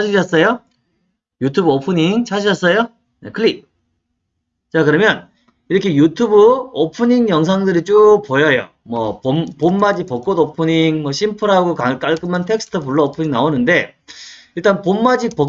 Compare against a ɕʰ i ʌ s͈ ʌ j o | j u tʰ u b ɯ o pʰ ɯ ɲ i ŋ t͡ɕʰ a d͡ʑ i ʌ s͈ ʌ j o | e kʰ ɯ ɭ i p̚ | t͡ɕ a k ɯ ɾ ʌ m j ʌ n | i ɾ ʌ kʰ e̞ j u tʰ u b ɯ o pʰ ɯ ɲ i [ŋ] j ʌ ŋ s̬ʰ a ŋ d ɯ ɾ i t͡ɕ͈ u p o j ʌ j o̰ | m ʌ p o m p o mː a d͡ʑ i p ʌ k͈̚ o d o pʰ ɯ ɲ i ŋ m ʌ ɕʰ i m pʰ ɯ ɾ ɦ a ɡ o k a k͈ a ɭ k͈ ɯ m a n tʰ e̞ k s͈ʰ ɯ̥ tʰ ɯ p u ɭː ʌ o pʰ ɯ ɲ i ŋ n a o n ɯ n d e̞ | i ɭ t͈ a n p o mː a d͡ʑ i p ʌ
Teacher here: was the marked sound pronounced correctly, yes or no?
yes